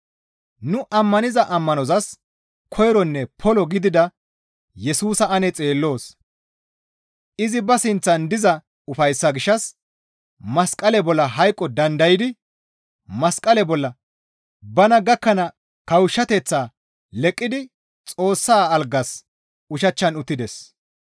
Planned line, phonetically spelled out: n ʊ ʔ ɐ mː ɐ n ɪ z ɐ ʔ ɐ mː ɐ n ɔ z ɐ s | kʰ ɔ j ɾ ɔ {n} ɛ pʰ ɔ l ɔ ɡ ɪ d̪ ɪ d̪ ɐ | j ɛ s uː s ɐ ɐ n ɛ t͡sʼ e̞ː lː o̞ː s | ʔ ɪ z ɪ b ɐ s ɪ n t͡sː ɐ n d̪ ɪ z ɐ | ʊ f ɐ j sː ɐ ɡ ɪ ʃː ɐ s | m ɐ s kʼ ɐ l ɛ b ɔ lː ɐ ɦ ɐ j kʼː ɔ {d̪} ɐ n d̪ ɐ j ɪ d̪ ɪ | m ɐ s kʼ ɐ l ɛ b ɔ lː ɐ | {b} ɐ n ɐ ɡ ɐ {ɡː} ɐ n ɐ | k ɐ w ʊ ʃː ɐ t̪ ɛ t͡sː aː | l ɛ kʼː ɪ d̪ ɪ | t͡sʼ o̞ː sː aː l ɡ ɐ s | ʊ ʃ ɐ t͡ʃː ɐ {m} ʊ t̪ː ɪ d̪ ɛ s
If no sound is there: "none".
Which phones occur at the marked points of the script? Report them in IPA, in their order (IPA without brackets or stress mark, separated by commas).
nː, d̪, b, kː, n